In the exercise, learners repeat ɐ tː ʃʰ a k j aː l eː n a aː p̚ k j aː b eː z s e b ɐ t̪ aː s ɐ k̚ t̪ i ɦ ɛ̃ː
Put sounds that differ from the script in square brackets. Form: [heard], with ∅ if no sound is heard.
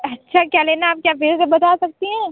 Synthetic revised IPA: ɐ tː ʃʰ a k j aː l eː n a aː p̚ k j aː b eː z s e b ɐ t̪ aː s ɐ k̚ t̪ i ɦ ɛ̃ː